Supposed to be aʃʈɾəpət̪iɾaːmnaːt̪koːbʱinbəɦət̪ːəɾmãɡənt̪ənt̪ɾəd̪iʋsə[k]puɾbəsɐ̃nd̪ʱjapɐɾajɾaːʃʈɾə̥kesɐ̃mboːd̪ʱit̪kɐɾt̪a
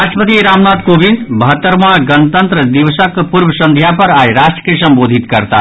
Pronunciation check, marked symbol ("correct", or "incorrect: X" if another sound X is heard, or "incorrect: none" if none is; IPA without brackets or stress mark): correct